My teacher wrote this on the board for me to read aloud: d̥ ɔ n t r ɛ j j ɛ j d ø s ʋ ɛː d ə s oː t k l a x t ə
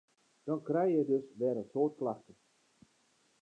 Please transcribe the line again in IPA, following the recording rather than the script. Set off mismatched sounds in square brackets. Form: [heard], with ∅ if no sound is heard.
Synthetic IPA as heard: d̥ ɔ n [k] r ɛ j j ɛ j d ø s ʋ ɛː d ə s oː t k l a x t ə